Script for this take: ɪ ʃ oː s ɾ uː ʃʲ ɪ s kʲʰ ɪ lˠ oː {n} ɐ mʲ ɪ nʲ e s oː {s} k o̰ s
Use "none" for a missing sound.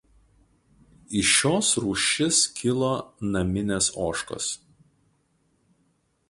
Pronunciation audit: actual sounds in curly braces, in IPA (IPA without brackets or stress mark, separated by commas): n, ʃ